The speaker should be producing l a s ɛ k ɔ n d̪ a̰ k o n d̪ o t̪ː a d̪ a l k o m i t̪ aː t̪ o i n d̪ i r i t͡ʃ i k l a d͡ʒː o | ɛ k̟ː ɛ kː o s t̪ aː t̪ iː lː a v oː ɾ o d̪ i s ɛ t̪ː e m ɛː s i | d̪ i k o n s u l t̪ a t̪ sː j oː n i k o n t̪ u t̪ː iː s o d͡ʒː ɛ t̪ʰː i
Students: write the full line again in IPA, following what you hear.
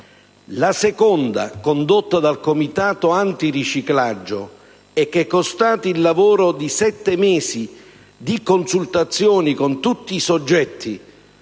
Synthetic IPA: l a s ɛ k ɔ n d̪ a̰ k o n d̪ o t̪ː a d̪ a l k o m i t̪ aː t̪ o a n t̪ i r i t͡ʃ i k l a d͡ʒː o | ɛ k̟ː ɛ kː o s t̪ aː t̪ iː lː a v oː ɾ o d̪ i s ɛ t̪ː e m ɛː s i | d̪ i k o n s u l t̪ a t̪ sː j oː n i k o n t̪ u t̪ː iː s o d͡ʒː ɛ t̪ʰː i